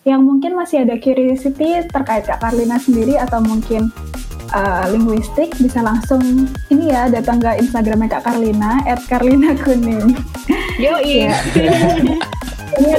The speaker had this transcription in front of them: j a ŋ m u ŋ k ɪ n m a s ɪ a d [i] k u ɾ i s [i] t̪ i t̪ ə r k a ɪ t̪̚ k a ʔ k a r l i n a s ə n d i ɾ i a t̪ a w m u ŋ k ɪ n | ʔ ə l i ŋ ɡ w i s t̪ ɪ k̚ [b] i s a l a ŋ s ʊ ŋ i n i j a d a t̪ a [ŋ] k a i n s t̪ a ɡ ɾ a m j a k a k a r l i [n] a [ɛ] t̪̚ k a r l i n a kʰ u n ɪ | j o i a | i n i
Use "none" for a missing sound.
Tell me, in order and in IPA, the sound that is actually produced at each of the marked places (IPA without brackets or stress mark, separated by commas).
a, i, b, ŋ, n, ɛ